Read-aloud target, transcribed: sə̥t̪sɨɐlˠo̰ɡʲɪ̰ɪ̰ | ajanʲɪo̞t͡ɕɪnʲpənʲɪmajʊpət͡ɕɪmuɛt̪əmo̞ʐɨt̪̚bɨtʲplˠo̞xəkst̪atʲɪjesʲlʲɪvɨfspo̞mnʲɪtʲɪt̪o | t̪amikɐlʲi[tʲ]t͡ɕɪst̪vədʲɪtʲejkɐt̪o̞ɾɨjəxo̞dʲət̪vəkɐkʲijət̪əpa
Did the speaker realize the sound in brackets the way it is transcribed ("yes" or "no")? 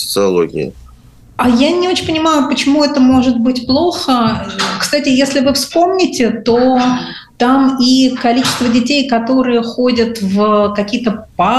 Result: no